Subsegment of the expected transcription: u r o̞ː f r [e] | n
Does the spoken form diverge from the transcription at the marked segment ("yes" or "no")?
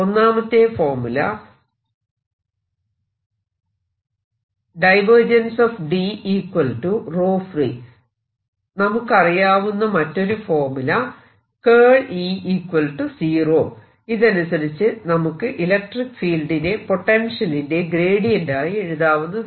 yes